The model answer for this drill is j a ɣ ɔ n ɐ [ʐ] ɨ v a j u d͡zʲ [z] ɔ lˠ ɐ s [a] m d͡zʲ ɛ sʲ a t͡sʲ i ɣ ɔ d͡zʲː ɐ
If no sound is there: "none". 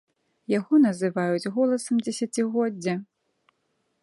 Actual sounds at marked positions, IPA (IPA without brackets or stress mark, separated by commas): z, ɣ, ɐ